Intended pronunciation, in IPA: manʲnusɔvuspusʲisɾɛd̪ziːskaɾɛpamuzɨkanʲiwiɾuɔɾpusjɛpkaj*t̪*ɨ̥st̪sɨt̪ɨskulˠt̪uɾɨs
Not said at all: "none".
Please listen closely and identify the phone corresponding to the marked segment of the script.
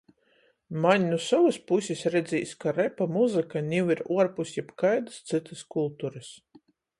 d̪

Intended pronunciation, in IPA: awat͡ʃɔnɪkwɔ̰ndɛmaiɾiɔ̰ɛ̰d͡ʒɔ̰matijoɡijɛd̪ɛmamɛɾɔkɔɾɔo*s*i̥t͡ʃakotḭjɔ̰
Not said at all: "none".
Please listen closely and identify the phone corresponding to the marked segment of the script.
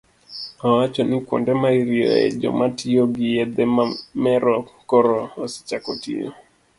s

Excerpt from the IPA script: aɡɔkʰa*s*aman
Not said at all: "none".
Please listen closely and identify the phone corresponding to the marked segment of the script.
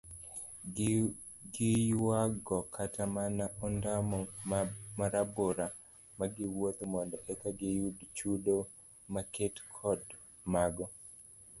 t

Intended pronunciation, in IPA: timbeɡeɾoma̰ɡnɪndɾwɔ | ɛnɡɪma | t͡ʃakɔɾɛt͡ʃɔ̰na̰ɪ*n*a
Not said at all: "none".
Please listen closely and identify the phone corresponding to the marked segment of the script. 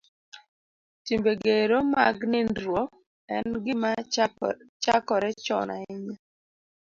ɲ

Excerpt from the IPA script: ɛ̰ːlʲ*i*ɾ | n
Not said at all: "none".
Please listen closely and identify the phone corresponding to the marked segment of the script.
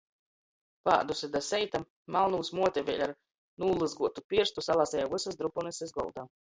a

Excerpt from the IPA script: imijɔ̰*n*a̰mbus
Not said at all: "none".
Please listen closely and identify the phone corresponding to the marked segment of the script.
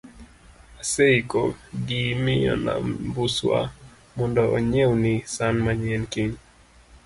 n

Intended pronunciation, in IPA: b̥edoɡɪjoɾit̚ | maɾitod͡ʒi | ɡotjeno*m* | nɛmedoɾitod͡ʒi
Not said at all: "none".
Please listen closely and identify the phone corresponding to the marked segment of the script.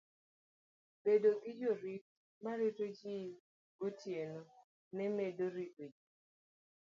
none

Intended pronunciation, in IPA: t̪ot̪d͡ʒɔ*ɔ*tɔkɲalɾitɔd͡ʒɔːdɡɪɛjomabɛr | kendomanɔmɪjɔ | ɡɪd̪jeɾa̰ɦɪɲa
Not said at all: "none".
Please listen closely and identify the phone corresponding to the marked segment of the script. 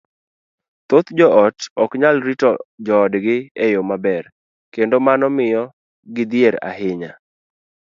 ɔ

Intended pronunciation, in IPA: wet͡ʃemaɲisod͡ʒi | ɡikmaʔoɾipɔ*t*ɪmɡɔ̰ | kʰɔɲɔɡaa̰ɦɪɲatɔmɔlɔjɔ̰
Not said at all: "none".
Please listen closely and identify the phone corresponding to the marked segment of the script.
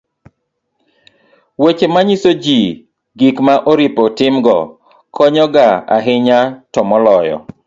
t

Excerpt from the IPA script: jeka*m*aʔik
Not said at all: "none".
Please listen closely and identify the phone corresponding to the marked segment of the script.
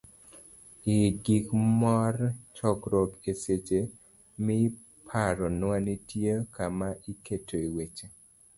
m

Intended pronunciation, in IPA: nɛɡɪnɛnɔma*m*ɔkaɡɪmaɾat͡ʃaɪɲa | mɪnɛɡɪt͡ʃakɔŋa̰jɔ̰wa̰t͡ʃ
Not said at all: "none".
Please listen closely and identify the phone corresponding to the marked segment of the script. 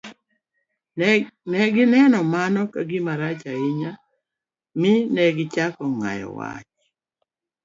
n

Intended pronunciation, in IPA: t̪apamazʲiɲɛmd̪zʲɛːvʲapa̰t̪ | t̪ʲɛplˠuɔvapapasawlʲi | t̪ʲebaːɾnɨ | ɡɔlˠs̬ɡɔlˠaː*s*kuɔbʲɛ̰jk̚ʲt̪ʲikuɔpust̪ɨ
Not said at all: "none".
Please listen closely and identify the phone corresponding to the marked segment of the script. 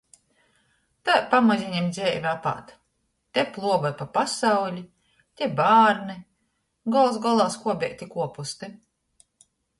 s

